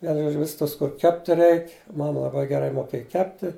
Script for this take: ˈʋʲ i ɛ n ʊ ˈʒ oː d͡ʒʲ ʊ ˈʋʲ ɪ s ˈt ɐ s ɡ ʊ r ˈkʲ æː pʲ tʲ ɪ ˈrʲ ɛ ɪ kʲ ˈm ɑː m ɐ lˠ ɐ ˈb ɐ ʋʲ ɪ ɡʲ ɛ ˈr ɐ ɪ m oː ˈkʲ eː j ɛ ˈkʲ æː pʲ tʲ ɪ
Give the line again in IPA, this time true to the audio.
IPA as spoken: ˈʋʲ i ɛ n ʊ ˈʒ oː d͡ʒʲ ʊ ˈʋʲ ɪ s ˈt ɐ s k ʊ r ˈkʲ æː pʲ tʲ ɪ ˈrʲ ɛ ɪ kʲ ˈm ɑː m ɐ lˠ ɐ ˈb ɐ ɪ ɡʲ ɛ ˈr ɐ ɪ m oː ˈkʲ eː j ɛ ˈkʲ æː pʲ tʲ ɪ